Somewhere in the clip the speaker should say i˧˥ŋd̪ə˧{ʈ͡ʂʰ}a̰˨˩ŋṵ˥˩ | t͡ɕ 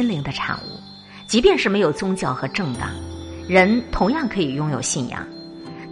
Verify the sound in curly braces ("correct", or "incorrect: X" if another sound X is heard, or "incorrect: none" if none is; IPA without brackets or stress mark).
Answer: correct